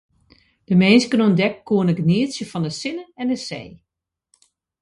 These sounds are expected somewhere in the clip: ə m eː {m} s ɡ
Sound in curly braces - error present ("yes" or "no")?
yes